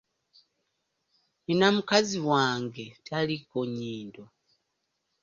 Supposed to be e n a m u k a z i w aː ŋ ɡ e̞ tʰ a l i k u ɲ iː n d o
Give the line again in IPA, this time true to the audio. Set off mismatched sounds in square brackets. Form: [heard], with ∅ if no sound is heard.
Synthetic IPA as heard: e n a m u k a z i w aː ŋ ɡ e̞ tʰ a l i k [o] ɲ iː n d o